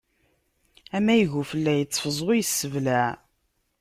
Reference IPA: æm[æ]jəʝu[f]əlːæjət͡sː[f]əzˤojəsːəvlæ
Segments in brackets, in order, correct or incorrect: correct, correct, correct

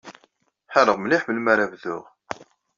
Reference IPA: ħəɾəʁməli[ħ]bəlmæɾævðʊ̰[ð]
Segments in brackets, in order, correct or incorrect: correct, incorrect

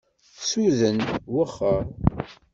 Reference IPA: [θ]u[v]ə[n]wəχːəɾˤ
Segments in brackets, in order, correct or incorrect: incorrect, incorrect, correct

